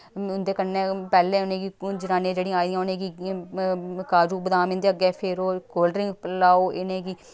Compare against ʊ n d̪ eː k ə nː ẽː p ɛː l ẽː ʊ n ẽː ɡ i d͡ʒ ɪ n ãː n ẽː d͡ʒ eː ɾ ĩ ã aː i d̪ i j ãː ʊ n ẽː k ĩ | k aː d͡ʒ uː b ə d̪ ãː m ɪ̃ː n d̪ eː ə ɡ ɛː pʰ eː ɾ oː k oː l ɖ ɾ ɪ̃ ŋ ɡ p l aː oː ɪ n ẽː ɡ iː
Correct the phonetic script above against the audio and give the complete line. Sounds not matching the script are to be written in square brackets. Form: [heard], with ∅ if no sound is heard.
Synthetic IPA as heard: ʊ n d̪ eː k ə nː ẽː p ɛː l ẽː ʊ n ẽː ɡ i d͡ʒ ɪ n [aː] n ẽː d͡ʒ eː [ɽ] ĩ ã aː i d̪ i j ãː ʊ n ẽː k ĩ | k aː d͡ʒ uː b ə d̪ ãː m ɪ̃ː n d̪ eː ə ɡ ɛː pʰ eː ɾ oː k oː l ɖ ɾ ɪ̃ ŋ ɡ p l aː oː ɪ n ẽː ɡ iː

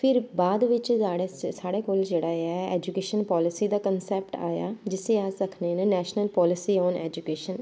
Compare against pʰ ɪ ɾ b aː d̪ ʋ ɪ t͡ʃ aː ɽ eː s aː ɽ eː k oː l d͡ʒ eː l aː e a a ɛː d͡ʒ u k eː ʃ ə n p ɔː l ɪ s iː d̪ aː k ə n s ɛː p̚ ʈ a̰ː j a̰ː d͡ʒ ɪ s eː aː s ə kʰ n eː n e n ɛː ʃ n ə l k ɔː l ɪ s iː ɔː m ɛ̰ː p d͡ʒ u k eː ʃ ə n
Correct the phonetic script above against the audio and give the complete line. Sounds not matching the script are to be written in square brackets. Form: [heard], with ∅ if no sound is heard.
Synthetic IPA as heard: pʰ ɪ ɾ b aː d̪ ʋ ɪ t͡ʃ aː ɽ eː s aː ɽ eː k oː l d͡ʒ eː [ɽ] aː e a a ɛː d͡ʒ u k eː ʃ ə n p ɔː l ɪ s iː d̪ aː k ə n s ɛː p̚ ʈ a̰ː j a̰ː d͡ʒ ɪ s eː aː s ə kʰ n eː n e n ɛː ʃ n ə l [p] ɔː l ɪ s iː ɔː [n] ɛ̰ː [∅] d͡ʒ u k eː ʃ ə n

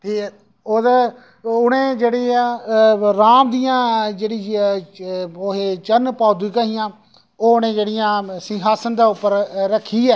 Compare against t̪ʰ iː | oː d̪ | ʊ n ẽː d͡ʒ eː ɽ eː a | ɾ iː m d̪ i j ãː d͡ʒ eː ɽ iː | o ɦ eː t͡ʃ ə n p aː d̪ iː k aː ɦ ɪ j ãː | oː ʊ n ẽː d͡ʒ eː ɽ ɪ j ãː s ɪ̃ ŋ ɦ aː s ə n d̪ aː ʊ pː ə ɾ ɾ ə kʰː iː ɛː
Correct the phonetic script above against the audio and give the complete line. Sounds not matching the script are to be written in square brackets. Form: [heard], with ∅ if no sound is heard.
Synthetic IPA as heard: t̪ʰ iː | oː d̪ | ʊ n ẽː d͡ʒ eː ɽ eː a | ɾ [aː] m d̪ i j ãː d͡ʒ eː ɽ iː | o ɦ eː t͡ʃ ə n p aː d̪ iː k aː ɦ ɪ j ãː | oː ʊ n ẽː d͡ʒ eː ɽ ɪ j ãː s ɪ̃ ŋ ɦ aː s ə n d̪ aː ʊ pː ə ɾ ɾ ə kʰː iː ɛː

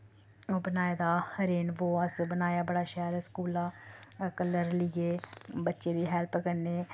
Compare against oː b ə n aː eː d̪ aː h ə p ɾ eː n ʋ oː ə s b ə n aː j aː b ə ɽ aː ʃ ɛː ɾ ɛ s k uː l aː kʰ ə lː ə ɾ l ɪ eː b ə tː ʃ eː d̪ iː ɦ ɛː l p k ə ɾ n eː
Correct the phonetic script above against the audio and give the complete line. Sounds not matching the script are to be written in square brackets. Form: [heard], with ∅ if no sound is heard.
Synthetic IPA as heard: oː b ə n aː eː d̪ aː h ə [∅] ɾ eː n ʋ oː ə s b ə n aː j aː b ə ɽ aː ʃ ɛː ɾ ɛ s k uː l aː [k] ə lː ə ɾ l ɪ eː b ə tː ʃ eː d̪ iː ɦ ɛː l p k ə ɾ n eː

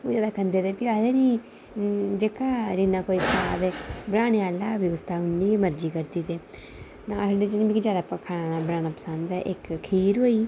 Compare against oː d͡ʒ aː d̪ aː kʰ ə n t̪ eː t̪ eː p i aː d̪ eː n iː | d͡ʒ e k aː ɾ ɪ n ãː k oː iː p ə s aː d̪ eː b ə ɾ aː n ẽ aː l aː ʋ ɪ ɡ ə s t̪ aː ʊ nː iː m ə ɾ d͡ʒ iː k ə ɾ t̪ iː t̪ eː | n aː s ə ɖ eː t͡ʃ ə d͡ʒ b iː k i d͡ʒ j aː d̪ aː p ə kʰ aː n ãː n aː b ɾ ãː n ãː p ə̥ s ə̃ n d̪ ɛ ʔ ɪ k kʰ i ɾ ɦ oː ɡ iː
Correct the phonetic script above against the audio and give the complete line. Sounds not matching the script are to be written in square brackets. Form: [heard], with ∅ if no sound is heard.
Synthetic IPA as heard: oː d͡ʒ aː d̪ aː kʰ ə n [d̪] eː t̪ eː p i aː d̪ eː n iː | d͡ʒ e k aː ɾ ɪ n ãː k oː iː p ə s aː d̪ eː b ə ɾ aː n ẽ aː l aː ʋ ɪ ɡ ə s t̪ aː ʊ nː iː m ə ɾ d͡ʒ iː k ə ɾ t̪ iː t̪ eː | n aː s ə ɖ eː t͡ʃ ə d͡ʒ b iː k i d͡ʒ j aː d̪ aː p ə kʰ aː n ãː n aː b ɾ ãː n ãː p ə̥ s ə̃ n d̪ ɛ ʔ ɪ k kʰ [iː] ɾ ɦ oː [∅] iː

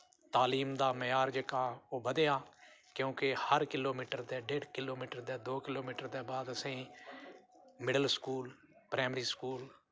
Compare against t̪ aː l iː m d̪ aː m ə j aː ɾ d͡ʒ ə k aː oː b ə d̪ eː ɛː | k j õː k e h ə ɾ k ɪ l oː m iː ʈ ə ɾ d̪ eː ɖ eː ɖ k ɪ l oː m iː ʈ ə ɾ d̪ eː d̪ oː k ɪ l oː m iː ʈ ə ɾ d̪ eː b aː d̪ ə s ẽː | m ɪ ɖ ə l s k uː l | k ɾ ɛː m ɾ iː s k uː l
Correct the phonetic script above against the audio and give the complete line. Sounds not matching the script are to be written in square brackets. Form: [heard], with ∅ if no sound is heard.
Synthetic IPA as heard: t̪ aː l iː m d̪ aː m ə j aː ɾ d͡ʒ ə k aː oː b ə d̪ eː [aː] | k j õː k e h ə ɾ k ɪ l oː m iː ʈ ə ɾ d̪ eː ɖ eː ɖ k ɪ l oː m iː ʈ ə ɾ d̪ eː d̪ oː k ɪ l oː m iː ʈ ə ɾ d̪ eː b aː d̪ ə s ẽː | m ɪ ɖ ə l s k uː l | [p] ɾ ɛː m ɾ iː s k uː l

